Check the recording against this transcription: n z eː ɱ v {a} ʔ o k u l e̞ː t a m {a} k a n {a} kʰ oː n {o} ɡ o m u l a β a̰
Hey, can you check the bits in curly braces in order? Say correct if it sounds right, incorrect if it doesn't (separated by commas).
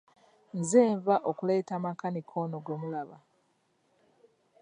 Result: correct, correct, incorrect, correct